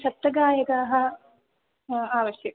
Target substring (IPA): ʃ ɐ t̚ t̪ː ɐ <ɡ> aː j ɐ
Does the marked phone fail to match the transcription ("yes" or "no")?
no